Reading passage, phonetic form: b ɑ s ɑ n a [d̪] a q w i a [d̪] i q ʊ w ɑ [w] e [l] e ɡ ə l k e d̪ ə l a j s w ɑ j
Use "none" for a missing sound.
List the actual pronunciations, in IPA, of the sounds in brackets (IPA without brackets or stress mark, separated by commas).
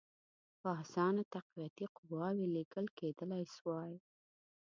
t̪, t̪, w, l